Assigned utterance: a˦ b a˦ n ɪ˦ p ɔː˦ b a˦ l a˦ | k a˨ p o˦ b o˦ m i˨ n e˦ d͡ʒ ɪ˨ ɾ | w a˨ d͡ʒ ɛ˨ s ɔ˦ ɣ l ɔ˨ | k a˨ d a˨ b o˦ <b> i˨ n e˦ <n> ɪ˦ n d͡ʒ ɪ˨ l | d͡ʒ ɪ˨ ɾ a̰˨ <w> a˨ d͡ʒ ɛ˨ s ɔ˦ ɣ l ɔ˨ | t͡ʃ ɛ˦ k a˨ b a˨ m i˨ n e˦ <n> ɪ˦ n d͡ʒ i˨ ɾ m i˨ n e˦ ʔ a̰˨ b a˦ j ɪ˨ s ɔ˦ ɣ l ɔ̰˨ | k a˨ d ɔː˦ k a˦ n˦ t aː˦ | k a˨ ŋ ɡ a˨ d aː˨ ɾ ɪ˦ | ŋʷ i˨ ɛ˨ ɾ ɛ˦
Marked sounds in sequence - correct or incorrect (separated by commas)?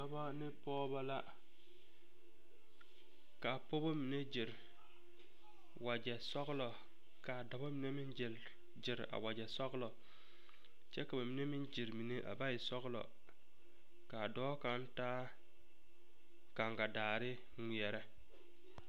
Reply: incorrect, incorrect, correct, incorrect